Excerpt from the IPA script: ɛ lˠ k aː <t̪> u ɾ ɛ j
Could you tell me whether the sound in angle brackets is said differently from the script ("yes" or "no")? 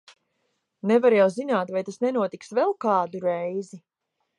yes